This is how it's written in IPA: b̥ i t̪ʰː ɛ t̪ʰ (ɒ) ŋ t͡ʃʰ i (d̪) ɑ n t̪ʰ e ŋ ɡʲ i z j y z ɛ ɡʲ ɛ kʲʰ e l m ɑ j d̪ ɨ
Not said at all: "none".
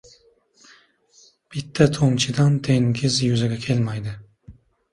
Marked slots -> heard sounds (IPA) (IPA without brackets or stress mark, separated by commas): o, d̪